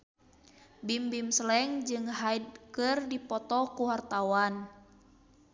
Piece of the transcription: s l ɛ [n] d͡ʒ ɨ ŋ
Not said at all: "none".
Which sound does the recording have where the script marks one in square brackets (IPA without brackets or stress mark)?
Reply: ŋ